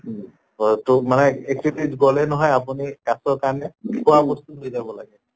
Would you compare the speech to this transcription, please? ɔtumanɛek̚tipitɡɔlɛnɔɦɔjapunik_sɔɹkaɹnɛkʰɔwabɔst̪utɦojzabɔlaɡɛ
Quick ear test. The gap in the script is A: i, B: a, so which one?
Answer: B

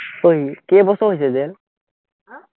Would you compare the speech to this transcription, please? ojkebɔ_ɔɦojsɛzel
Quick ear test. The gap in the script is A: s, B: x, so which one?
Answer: A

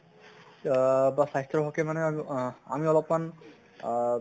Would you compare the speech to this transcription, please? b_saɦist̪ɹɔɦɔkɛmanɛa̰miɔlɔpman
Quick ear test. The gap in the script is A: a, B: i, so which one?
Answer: A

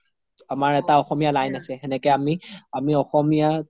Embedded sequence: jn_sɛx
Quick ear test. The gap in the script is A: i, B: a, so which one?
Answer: B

